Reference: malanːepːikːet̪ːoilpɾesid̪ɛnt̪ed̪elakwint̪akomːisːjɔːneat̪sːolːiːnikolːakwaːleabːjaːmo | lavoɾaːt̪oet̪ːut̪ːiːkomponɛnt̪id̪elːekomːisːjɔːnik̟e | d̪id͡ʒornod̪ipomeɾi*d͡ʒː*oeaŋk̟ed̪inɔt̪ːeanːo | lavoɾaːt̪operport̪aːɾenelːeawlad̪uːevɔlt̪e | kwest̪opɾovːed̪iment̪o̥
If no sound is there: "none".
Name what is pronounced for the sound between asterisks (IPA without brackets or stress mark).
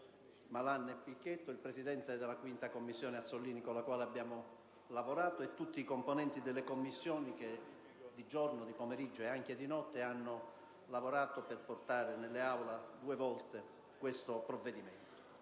d͡ʒː